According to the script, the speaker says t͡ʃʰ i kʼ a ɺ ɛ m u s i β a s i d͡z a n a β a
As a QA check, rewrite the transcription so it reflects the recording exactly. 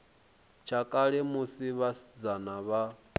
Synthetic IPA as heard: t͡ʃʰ a kʼ a ɺ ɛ m u s i β a s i d͡z a n a β a